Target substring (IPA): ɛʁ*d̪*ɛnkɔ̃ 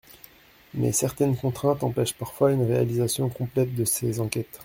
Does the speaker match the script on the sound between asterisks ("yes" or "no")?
no